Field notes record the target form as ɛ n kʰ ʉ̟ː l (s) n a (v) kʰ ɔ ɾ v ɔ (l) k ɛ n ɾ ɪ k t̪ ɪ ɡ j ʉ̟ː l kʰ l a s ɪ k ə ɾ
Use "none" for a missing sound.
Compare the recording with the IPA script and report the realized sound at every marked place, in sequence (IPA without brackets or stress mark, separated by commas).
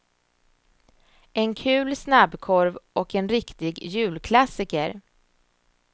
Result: s, b, none